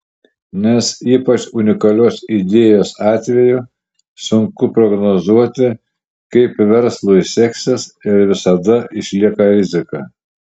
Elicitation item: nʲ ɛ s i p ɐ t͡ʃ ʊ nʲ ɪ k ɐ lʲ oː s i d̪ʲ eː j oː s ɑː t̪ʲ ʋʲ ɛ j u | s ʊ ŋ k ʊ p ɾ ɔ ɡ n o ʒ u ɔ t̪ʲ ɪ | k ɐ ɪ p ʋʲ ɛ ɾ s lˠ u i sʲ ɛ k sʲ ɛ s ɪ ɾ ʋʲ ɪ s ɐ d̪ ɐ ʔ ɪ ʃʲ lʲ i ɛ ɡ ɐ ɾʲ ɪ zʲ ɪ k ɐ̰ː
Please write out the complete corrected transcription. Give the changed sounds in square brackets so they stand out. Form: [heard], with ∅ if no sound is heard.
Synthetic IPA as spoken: nʲ ɛ s [iː] p ɐ t͡ʃ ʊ nʲ ɪ k ɐ lʲ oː s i d̪ʲ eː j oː s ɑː t̪ʲ ʋʲ ɛ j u | s ʊ ŋ k ʊ p ɾ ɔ ɡ n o [z] u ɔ t̪ʲ ɪ | k ɐ ɪ p ʋʲ ɛ ɾ s lˠ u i sʲ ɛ k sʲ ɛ s ɪ ɾ ʋʲ ɪ s ɐ d̪ ɐ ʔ ɪ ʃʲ lʲ i ɛ [k] ɐ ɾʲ ɪ zʲ ɪ k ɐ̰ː